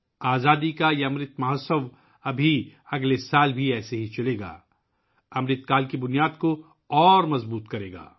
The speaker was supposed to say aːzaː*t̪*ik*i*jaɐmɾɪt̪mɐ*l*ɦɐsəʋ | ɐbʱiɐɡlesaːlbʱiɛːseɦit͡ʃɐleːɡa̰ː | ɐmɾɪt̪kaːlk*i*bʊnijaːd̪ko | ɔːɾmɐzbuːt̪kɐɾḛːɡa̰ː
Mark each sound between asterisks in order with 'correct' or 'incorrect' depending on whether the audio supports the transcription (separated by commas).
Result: incorrect, incorrect, incorrect, correct